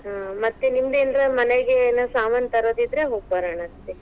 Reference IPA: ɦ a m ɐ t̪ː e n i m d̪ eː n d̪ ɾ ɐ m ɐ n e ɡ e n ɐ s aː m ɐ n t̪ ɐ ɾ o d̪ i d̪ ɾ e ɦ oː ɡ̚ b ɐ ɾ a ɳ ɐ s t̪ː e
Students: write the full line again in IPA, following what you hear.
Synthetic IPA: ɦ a m ɐ t̪ː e n i m d̪ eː n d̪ ɾ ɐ m ɐ n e ɡ e n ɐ s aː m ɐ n t̪ ɐ ɾ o d̪ i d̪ ɾ e ɦ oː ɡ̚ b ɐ ɾ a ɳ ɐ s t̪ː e